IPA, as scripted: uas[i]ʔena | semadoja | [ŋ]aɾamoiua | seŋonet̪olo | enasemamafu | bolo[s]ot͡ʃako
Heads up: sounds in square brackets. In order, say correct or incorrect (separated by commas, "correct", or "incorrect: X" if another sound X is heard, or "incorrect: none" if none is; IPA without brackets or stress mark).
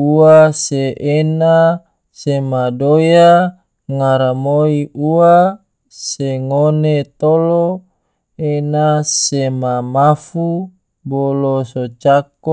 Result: incorrect: e, correct, correct